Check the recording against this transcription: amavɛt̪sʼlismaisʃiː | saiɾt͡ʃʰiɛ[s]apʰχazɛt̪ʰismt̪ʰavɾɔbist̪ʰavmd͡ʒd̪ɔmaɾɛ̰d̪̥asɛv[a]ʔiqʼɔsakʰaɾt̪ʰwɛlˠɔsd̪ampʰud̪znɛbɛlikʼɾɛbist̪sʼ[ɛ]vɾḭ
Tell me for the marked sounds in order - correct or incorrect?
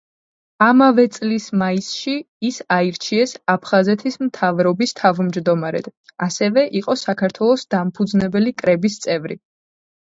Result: correct, incorrect, correct

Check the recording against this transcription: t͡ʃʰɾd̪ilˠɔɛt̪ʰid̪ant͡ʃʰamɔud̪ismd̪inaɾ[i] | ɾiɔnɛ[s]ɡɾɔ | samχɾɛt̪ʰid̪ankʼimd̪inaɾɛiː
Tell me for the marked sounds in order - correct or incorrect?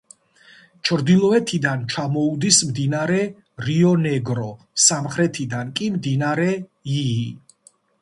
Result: incorrect, incorrect

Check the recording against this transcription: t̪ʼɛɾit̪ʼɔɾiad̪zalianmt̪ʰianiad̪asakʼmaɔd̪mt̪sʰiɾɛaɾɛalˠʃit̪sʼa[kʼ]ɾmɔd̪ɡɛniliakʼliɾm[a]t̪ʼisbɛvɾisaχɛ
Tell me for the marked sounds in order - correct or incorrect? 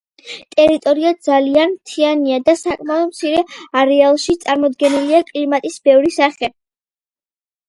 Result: incorrect, correct

